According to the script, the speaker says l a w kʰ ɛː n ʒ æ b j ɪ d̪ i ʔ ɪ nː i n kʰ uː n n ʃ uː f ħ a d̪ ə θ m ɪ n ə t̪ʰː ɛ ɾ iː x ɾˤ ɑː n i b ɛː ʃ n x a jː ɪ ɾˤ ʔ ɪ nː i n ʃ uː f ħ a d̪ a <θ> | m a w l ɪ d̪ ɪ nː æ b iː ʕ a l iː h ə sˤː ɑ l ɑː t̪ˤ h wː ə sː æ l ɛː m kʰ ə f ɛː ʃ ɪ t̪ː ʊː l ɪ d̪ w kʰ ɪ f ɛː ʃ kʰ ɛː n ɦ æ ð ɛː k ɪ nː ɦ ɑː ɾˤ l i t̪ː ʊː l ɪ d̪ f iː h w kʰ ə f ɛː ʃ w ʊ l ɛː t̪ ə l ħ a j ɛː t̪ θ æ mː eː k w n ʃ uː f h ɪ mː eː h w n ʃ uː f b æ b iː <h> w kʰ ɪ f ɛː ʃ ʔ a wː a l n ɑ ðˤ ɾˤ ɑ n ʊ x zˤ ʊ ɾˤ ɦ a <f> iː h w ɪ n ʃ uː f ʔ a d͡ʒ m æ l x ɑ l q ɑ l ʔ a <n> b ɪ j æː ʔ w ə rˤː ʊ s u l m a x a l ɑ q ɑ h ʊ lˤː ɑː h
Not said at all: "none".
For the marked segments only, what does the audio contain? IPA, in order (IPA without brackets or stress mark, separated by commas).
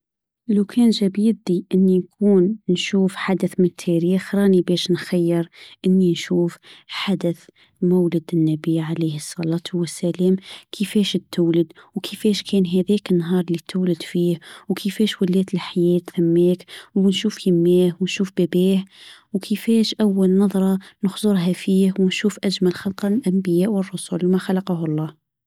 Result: θ, h, f, m